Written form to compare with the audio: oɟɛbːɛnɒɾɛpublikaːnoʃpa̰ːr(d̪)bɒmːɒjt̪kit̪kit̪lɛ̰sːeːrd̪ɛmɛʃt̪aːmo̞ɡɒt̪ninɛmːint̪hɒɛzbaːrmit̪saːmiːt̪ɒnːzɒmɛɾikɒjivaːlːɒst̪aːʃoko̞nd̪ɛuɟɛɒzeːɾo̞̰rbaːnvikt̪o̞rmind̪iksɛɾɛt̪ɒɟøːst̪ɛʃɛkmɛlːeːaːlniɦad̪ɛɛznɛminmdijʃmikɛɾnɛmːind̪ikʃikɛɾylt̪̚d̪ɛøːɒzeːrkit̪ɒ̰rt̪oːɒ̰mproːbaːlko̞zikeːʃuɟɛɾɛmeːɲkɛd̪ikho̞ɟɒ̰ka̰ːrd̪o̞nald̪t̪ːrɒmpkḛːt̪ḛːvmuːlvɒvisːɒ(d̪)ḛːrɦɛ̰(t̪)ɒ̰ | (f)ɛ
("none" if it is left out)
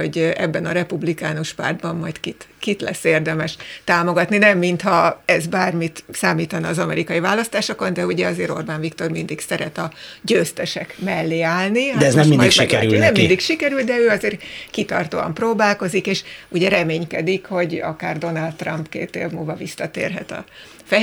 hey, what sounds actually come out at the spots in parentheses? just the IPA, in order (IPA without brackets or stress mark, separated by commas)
d̪, t̪, t̪, f